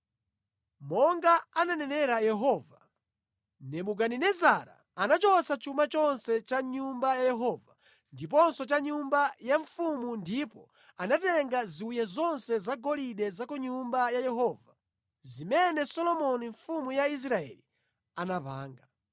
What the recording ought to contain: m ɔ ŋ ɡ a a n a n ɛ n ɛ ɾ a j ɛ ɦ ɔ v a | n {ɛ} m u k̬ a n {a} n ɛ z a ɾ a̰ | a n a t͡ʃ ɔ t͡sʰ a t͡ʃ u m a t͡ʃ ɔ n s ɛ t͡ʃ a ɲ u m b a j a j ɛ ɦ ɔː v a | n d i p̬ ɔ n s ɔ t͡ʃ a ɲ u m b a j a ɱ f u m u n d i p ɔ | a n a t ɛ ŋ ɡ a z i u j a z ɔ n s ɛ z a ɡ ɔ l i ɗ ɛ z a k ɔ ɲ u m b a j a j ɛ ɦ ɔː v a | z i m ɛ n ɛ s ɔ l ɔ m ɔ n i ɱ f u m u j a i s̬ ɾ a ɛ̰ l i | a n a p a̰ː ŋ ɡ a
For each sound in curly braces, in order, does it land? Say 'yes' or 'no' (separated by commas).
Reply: yes, no